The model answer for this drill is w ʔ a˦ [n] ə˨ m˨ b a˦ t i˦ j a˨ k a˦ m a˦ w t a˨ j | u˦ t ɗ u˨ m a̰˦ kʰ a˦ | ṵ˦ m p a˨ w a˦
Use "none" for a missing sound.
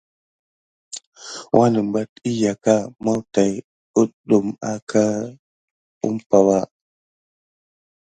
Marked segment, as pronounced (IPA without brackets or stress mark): n